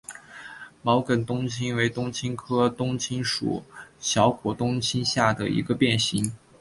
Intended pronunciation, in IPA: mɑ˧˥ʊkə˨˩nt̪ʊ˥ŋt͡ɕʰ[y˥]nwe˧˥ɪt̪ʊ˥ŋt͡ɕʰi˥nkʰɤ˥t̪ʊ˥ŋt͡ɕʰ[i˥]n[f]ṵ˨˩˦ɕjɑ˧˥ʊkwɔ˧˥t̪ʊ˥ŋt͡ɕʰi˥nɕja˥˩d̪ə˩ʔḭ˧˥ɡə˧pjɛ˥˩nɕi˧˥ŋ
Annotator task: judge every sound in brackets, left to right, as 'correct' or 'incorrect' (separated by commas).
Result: incorrect, correct, incorrect